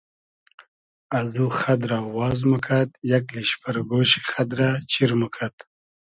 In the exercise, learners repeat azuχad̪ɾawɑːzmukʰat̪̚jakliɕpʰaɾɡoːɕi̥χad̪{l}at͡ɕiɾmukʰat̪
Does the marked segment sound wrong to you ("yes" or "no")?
yes